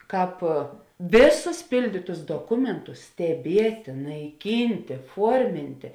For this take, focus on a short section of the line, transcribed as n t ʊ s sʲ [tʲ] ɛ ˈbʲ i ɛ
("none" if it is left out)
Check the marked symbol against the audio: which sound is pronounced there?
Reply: tʲ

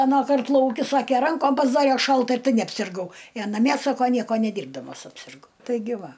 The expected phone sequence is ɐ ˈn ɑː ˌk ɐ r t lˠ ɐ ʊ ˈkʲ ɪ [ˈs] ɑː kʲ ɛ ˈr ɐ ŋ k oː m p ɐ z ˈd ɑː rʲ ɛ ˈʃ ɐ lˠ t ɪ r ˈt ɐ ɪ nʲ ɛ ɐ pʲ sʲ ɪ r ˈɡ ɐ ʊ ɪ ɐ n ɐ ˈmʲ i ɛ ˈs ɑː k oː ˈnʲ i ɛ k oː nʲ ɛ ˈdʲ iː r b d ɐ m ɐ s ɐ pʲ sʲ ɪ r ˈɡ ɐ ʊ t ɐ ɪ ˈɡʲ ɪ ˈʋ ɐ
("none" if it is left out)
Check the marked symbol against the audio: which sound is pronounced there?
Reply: s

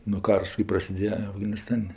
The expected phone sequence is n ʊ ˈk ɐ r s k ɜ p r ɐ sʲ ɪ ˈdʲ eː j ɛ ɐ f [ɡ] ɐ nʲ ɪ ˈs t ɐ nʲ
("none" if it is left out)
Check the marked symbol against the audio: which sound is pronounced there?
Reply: ɡ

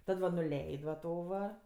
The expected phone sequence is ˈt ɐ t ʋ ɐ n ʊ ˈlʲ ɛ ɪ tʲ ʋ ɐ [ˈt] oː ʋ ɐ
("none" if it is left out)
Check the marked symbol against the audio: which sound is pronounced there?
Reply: t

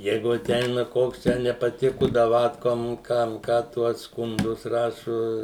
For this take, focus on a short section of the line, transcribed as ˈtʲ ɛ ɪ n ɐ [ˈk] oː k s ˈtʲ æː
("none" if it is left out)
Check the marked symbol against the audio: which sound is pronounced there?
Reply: k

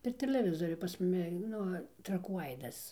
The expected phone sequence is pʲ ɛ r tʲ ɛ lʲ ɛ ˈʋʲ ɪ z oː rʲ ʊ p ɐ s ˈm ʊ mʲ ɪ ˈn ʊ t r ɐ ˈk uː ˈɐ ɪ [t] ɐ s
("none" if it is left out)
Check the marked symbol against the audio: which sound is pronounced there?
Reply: d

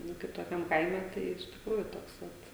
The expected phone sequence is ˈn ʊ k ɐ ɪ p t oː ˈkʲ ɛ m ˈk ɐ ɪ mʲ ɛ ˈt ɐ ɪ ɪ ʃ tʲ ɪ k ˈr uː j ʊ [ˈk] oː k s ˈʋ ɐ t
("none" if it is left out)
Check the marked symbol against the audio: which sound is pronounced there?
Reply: t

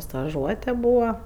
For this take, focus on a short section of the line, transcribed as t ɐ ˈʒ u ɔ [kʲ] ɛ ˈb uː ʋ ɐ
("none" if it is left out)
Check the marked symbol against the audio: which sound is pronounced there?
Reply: tʲ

